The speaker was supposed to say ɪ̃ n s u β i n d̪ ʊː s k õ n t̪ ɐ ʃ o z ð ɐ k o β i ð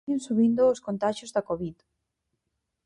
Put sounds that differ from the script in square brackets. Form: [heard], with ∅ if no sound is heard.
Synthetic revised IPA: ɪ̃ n s u β i n d̪ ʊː s k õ n t̪ [a] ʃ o z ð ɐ k o β i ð